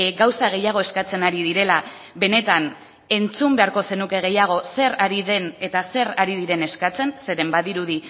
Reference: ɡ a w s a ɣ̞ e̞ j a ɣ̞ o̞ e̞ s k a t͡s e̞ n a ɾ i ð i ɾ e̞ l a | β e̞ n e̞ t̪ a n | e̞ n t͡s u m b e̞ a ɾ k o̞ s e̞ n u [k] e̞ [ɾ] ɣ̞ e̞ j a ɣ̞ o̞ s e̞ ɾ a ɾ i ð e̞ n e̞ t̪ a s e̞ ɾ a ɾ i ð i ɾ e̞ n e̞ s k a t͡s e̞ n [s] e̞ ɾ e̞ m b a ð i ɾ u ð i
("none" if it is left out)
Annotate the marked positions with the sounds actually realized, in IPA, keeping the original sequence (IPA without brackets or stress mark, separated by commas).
k, none, s